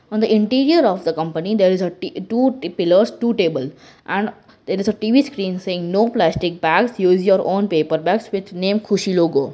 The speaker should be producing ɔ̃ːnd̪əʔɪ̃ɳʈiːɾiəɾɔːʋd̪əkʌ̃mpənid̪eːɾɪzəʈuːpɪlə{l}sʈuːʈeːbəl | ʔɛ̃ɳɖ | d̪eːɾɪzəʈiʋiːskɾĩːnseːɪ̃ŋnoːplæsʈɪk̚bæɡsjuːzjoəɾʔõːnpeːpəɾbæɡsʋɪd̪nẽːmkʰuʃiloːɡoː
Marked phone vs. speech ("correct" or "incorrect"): incorrect